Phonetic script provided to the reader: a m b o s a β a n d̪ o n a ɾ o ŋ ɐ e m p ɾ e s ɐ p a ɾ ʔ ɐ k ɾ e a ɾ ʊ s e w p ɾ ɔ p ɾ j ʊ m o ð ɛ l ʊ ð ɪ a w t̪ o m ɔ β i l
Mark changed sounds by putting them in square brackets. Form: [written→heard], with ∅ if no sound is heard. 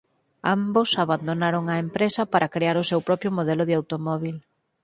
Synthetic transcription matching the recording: a m b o s a β a n d̪ o n a ɾ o ŋ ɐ e m p ɾ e s ɐ p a ɾ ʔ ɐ k ɾ e a ɾ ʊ s e w p ɾ ɔ p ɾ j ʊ m o ð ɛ l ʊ ð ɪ a w t̪ o m ɔ β i l